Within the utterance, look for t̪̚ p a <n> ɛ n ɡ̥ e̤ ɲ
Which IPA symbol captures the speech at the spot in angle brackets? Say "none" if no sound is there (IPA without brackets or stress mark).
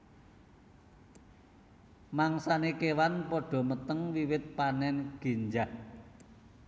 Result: n